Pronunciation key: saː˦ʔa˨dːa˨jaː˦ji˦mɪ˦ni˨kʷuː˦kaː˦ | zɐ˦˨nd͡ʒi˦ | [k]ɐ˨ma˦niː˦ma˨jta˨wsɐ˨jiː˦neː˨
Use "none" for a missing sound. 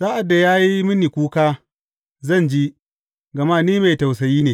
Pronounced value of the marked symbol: ɡ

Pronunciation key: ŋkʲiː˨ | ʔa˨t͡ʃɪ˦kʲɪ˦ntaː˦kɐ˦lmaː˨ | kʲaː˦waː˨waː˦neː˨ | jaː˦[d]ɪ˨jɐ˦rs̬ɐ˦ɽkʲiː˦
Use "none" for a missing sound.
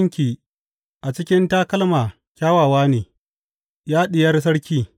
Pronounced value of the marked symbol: ɗ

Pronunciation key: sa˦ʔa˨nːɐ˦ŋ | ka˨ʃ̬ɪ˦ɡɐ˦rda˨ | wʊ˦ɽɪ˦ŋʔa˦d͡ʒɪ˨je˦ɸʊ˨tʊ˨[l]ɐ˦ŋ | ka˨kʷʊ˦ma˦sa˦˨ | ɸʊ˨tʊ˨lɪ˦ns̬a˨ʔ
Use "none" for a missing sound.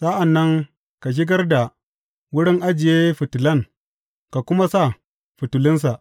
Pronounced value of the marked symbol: l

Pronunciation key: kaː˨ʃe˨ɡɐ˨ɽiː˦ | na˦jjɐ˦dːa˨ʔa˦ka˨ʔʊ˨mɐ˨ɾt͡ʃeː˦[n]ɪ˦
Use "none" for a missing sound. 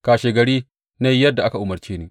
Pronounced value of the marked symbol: n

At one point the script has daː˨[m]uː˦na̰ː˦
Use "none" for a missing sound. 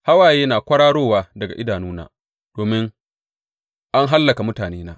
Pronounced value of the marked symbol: n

